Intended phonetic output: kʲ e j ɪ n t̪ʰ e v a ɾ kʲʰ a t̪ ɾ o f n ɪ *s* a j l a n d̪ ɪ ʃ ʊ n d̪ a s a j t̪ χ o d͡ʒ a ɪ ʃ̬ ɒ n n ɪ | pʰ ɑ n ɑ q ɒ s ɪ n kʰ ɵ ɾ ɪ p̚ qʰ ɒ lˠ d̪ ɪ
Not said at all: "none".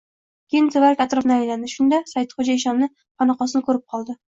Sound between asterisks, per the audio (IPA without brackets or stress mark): none